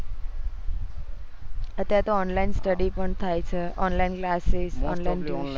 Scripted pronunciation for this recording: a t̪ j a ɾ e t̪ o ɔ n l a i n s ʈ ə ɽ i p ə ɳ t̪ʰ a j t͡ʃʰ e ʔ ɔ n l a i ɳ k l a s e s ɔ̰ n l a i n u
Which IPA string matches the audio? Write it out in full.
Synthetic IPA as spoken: ə t̪ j a ɾ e t̪ o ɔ n l a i n s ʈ ə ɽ i p ə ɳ t̪ʰ a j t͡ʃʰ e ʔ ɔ n l a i n k l a s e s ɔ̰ n l a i n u